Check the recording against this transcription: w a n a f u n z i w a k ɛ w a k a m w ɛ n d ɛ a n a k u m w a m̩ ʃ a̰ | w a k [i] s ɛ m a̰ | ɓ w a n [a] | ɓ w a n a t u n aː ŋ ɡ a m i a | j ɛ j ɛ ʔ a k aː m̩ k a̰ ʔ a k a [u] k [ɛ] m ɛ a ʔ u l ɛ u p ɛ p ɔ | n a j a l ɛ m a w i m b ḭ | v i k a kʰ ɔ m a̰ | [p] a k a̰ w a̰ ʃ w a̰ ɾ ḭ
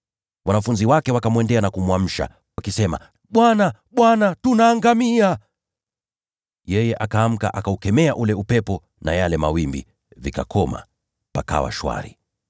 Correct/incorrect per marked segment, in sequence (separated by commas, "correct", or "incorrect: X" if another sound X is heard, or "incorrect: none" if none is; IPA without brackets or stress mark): correct, correct, correct, correct, correct